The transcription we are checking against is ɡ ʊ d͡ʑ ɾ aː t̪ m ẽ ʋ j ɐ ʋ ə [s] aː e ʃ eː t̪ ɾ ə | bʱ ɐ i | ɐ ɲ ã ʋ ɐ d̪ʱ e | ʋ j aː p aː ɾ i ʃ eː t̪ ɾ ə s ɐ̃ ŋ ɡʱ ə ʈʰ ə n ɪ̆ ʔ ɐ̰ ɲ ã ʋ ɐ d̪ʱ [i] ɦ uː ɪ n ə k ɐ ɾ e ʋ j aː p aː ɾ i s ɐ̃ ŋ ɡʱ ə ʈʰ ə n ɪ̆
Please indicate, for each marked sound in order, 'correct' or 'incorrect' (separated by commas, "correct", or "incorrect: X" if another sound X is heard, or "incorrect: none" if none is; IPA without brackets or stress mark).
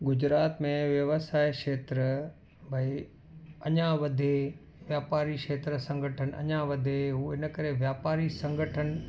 correct, incorrect: e